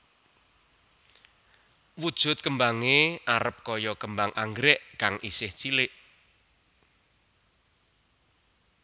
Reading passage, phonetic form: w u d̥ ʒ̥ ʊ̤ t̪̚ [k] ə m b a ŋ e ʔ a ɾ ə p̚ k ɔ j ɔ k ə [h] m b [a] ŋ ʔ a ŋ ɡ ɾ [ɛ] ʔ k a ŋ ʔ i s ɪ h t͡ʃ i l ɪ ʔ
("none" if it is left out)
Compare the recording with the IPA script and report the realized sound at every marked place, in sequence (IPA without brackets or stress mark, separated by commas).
k, none, a, ɛ